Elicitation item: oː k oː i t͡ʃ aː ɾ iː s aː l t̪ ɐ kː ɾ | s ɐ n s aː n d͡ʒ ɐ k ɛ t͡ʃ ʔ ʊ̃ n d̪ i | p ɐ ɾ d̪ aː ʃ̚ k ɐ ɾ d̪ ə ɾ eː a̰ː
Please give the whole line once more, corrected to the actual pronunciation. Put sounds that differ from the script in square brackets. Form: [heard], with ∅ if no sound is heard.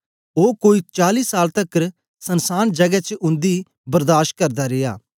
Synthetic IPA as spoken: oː k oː i t͡ʃ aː [l] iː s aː l t̪ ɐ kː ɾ | s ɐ n s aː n d͡ʒ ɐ [ɡ] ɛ t͡ʃ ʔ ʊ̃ n d̪ i | [b] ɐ ɾ d̪ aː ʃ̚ k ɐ ɾ d̪ [a] ɾ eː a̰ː